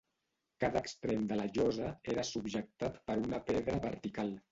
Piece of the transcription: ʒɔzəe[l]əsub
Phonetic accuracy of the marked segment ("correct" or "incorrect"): incorrect